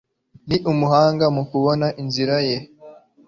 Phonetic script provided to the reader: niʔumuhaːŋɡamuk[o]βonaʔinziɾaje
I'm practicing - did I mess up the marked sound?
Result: yes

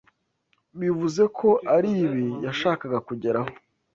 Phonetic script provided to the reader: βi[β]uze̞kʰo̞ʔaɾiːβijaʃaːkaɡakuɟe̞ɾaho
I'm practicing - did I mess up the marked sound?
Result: yes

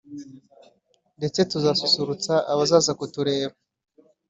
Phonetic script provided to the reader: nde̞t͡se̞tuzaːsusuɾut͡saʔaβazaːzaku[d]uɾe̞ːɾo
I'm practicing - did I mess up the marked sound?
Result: yes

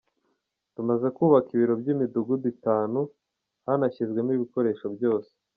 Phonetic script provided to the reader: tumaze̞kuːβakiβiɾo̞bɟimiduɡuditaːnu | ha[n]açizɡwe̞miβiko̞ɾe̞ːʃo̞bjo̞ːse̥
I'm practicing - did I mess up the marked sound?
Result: no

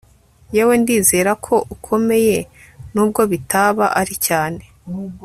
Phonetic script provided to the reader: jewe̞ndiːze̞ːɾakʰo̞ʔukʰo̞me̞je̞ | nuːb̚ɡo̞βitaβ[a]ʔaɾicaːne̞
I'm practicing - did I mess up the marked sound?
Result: no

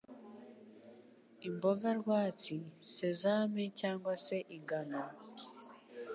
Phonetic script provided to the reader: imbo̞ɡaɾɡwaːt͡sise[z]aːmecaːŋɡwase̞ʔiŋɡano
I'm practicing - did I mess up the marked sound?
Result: no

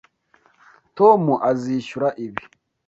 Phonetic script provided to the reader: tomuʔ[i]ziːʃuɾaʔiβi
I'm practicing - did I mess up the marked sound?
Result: yes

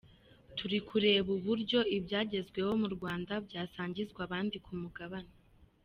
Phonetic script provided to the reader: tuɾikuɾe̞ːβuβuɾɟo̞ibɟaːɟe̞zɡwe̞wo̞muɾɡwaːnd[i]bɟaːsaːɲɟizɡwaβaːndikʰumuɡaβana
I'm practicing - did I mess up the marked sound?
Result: yes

